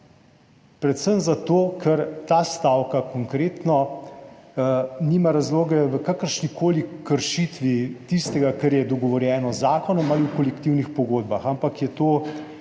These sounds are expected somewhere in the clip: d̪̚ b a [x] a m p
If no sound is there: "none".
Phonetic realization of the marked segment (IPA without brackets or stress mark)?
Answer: x